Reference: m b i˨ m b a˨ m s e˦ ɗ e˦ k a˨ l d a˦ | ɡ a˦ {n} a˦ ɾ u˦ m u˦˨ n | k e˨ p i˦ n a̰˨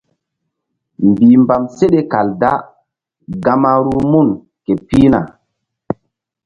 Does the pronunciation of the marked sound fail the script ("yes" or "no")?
yes